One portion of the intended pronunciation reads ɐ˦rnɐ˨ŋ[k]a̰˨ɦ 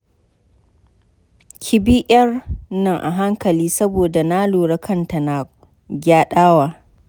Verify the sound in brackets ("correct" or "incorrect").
incorrect